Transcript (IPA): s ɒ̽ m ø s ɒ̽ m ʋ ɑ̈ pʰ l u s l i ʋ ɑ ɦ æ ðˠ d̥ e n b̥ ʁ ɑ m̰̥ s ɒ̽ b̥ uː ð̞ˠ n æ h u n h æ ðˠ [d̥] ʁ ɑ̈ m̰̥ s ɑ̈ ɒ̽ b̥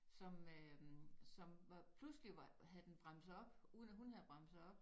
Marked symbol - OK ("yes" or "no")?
no